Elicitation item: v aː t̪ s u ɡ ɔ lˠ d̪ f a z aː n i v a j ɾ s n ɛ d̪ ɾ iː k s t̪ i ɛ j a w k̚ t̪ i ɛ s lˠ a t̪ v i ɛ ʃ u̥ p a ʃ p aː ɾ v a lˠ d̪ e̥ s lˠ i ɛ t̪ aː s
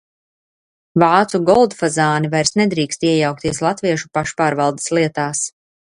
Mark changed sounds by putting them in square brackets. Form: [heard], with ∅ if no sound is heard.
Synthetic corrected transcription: v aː t̪ s u ɡ ɔ lˠ d̪ f a z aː n i v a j ɾ s n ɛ d̪ ɾ iː k s t̪ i ɛ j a w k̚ t̪ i ɛ s lˠ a t̪ v i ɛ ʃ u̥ p a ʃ p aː ɾ v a lˠ d̪ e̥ s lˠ i ɛ t̪ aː s